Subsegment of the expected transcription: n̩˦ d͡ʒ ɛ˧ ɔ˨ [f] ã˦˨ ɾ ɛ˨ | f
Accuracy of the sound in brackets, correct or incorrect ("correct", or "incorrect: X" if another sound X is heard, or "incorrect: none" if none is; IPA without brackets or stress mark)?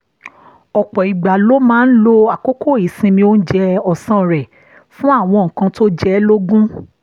incorrect: s